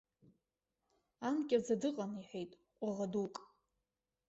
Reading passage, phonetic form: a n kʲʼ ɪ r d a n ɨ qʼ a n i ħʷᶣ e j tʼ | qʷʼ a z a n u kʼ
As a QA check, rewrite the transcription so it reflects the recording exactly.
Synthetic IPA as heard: a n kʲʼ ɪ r d͡z a d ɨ qʼ a n i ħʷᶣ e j tʼ | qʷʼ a ʁ a d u kʼ